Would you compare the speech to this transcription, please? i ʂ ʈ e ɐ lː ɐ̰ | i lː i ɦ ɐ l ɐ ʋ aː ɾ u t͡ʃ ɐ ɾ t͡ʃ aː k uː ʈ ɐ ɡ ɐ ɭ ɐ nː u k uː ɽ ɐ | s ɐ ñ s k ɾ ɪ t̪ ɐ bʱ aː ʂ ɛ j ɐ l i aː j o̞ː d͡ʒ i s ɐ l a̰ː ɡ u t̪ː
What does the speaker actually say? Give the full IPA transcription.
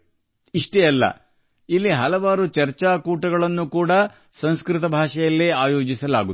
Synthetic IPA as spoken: i ʂ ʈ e ɐ lː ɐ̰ | i lː i ɦ ɐ l ɐ ʋ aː ɾ u t͡ʃ ɐ ɾ t͡ʃ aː k uː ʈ ɐ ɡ ɐ ɭ ɐ nː u k uː ɽ ɐ | s ɐ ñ s k ɾ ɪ t̪ ɐ bʱ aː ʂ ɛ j ɐ lː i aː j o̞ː d͡ʒ i s ɐ l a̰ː ɡ u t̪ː